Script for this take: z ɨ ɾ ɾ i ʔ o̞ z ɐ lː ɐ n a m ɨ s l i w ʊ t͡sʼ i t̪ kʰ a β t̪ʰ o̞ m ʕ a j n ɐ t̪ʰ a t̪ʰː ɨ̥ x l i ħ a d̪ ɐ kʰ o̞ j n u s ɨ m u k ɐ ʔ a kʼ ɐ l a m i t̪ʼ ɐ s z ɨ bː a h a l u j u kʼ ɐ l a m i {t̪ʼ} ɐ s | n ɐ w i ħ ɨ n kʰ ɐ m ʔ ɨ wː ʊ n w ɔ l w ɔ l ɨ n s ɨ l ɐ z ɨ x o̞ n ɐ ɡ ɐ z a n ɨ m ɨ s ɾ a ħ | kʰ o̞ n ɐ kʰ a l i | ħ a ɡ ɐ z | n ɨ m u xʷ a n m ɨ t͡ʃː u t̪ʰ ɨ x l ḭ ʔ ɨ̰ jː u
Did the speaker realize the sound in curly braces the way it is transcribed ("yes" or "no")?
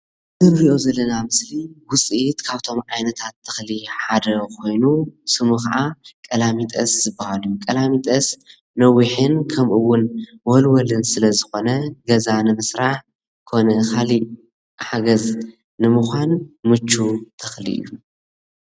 yes